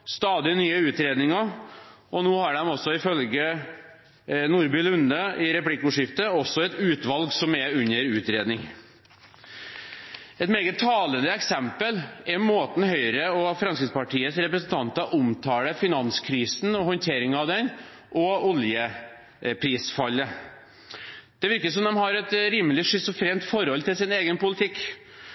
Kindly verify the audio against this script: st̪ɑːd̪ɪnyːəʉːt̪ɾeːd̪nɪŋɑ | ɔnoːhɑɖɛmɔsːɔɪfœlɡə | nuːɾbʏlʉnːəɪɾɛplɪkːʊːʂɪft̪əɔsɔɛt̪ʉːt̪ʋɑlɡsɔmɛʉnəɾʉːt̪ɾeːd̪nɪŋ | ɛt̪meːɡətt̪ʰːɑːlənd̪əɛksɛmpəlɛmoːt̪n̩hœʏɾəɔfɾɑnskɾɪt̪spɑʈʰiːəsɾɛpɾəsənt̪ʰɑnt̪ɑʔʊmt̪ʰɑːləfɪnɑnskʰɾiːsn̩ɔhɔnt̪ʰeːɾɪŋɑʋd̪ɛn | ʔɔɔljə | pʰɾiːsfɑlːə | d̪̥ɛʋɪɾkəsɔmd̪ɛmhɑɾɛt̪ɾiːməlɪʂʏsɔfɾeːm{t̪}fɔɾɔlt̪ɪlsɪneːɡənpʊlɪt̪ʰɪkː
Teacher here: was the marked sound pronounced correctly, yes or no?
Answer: yes